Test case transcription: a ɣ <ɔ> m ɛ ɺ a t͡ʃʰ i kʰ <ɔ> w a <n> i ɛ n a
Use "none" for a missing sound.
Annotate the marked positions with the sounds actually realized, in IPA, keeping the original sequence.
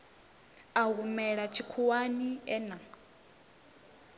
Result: u, u, n

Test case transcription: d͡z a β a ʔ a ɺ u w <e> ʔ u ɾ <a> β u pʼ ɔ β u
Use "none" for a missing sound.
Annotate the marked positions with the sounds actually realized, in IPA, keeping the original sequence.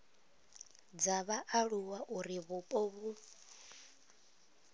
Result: a, i

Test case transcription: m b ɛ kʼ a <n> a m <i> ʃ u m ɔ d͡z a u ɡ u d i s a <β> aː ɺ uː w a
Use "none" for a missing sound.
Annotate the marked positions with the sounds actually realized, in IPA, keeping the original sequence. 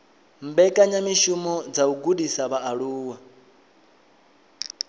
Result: ɲ, i, β

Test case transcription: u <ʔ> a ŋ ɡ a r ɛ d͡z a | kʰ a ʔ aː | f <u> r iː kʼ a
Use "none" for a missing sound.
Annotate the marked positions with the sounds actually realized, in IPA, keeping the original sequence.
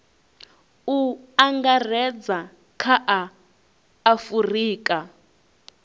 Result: none, u

